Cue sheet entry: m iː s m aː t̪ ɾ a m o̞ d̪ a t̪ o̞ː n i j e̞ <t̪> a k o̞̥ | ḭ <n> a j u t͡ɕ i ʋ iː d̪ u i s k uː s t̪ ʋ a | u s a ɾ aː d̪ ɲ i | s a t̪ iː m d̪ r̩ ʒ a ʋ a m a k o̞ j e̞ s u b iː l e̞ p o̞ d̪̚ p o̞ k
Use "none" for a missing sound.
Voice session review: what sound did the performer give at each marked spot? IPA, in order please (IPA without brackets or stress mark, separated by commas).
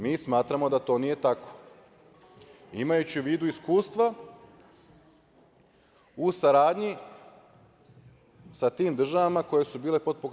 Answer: t̪, m